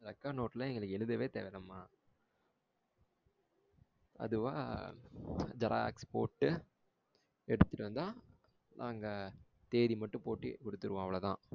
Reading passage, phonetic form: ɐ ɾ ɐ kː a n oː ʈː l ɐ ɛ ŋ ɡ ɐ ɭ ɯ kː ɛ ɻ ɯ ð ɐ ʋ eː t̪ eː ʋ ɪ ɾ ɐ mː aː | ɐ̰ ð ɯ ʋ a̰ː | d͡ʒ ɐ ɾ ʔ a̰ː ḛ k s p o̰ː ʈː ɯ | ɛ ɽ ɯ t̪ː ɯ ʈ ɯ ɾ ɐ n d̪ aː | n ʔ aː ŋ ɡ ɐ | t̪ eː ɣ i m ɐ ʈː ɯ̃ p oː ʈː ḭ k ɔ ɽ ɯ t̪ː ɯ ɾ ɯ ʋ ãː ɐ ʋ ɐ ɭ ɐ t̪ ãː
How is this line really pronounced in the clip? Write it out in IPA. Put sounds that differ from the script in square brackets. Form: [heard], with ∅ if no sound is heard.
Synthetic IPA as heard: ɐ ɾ ɐ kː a n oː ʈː l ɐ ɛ ŋ ɡ ɐ ɭ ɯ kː ɛ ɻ ɯ ð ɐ ʋ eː t̪ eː ʋ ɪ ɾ ɐ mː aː | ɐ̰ ð ɯ ʋ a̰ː | d͡ʒ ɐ ɾ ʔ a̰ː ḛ k s p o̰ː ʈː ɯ | ɛ ɽ ɯ t̪ː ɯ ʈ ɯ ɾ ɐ n d̪ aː | n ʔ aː ŋ ɡ ɐ | t̪ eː [ð] i m ɐ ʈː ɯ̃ p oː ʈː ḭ k ɔ ɽ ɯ t̪ː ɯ ɾ ɯ ʋ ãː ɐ ʋ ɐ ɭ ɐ t̪ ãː